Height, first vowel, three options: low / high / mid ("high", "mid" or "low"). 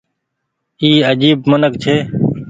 high